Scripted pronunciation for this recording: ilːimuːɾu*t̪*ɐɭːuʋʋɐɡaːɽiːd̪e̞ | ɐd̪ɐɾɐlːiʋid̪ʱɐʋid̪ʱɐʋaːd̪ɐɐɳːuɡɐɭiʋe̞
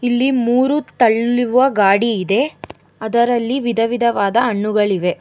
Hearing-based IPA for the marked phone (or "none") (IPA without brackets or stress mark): t̪